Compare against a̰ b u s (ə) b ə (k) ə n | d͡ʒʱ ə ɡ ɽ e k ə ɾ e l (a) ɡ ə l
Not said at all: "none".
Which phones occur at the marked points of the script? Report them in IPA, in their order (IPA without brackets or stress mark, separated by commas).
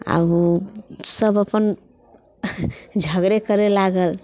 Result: ə, p, a